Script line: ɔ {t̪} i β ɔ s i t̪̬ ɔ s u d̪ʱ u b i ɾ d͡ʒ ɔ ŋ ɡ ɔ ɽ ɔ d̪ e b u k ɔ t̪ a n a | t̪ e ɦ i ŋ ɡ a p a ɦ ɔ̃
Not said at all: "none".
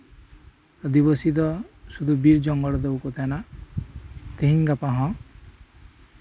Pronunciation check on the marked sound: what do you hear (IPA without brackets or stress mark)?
d̪